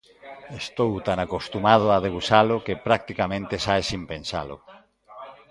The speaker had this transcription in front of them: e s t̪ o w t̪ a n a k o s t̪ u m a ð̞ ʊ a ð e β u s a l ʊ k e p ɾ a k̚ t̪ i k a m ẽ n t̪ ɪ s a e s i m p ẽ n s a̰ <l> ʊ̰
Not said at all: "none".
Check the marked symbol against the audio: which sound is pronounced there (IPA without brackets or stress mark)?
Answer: l